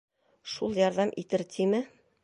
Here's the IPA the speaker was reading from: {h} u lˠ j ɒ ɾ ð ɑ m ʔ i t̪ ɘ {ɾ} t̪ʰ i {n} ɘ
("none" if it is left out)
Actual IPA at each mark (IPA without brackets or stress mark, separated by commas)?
ʃ, ɾ, m